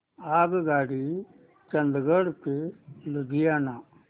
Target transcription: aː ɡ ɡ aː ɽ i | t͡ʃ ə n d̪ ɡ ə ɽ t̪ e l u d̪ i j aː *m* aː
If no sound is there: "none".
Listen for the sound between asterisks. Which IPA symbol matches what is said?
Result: n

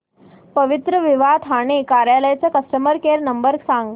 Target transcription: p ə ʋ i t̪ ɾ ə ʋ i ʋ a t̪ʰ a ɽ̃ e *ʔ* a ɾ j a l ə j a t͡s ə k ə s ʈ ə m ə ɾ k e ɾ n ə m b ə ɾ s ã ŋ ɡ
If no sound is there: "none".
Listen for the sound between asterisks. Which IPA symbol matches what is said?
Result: k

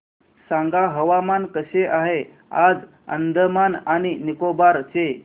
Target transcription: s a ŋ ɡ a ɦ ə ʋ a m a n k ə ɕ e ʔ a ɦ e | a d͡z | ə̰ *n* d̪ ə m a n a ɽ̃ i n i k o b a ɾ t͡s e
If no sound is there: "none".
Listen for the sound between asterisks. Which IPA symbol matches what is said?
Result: n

